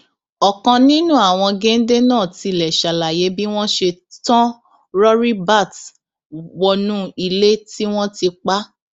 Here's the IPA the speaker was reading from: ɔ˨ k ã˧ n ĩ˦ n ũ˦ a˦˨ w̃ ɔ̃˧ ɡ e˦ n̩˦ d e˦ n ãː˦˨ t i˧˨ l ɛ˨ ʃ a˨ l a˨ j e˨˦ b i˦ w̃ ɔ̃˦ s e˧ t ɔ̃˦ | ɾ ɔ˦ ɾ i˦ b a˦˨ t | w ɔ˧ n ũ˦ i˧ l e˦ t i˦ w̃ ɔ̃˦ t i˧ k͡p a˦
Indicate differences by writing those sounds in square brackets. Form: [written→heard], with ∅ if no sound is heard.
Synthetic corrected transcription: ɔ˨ k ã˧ n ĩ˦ n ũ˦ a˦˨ w̃ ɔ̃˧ ɡ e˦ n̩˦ d e˦ n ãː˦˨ t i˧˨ l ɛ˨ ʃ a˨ l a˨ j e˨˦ b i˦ w̃ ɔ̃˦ [s→ʃ] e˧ t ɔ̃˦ | ɾ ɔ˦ ɾ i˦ b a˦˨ t | w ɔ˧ n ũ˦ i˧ l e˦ t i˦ w̃ ɔ̃˦ t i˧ k͡p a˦